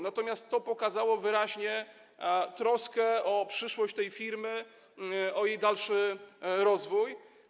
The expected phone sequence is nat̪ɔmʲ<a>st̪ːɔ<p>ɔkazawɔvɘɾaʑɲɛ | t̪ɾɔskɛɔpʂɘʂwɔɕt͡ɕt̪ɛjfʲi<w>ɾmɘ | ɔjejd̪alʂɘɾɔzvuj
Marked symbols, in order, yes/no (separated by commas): yes, yes, no